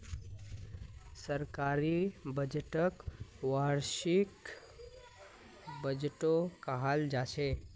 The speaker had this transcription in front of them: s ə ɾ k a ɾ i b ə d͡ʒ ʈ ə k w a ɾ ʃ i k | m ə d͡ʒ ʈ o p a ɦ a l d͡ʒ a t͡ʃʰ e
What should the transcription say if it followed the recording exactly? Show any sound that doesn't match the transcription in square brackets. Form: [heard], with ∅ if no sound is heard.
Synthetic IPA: s ə ɾ k a ɾ i b ə d͡ʒ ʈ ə k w a ɾ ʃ i k | [b] ə d͡ʒ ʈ o [k] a ɦ a l d͡ʒ a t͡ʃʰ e